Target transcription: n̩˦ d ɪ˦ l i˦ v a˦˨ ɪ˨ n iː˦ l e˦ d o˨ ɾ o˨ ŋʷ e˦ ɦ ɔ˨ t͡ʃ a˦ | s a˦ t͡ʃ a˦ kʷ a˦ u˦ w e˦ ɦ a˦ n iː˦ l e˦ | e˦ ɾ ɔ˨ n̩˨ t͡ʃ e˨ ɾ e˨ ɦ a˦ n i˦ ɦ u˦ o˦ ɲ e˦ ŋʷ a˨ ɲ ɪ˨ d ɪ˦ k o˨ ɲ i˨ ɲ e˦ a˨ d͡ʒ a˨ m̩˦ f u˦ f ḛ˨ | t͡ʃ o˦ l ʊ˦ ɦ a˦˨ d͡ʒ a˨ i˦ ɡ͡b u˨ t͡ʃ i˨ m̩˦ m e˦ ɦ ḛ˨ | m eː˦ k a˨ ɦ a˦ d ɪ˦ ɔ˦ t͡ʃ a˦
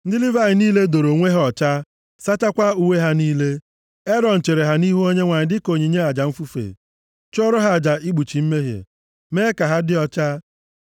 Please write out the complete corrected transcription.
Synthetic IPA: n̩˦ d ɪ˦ l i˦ v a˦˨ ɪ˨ n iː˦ l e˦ d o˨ ɾ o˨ ŋʷ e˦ ɦ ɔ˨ t͡ʃ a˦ | s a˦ t͡ʃ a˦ kʷ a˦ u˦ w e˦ ɦ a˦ n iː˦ l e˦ | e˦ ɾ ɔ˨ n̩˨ t͡ʃ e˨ ɾ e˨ ɦ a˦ n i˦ ɦ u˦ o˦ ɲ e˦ ŋʷ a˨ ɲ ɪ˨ d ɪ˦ k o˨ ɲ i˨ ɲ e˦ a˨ d͡ʒ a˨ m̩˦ f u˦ f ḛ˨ | t͡ʃ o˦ ɾ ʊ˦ ɦ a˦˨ d͡ʒ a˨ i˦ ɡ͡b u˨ t͡ʃ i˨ m̩˦ m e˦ ɦ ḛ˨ | m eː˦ k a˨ ɦ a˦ d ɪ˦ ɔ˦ t͡ʃ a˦

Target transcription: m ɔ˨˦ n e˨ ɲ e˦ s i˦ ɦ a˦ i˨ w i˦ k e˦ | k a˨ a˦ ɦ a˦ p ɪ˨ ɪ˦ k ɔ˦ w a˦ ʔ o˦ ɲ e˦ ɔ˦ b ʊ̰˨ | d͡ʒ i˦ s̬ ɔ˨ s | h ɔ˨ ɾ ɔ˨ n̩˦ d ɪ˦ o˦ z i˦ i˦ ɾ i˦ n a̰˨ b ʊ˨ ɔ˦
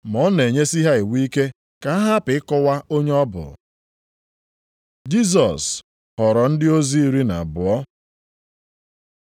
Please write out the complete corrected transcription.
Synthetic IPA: m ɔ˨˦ n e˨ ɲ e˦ s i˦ ɦ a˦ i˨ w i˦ k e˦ | k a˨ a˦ ɦ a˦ p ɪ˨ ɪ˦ k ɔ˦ w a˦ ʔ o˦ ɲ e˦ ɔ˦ b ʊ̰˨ | d͡ʒ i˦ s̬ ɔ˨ s | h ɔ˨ ɾ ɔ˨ n̩˦ d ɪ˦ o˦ z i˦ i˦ ɾ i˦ n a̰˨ b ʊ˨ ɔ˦

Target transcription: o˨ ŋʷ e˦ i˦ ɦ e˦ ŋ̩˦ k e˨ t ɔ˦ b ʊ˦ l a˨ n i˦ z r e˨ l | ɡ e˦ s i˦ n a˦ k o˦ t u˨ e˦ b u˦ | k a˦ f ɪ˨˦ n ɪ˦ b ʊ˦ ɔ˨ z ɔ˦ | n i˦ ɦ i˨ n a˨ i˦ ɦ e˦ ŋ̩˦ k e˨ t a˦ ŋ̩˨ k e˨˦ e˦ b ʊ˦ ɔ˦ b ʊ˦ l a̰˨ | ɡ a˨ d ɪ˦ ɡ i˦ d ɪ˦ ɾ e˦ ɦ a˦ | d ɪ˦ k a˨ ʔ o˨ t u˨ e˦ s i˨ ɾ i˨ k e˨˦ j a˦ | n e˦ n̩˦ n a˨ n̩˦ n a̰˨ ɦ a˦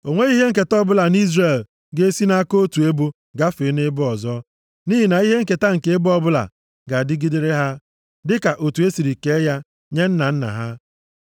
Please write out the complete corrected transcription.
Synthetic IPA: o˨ ŋʷ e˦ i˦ ɦ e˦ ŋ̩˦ k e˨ t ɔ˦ b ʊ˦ l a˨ n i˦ z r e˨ l | ɡ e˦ s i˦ n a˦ k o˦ t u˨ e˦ b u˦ | ɡ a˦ f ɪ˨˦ n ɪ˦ b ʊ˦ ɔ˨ z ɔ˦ | n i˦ ɦ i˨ n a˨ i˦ ɦ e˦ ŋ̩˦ k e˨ t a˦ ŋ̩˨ k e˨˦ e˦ b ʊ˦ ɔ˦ b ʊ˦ l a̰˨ | ɡ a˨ d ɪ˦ ɡ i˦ d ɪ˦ ɾ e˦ ɦ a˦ | d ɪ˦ k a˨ ʔ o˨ t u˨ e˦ s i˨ ɾ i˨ k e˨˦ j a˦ | ɲ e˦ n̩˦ n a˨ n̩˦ n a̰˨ ɦ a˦

